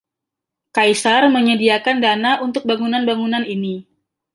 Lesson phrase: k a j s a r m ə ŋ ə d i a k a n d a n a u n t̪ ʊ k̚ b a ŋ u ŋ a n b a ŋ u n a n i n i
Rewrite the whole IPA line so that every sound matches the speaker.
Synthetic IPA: k a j s a r m ə ɲ ə d i a k a n d a n a u n t̪ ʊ k̚ b a ŋ u n a n b a ŋ u n a n i n i